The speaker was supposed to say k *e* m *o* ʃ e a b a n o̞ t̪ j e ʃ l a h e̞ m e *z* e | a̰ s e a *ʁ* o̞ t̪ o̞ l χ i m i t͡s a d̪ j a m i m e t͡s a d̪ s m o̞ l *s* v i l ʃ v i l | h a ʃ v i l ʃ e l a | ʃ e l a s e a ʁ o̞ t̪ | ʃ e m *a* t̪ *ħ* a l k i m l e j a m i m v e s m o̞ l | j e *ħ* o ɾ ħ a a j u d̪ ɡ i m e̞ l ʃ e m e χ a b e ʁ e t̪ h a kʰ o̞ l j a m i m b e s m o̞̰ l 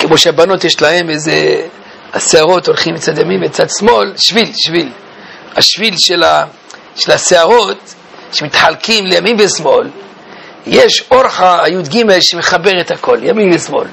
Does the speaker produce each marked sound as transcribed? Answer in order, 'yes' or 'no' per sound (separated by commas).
yes, yes, yes, yes, no, no, yes, no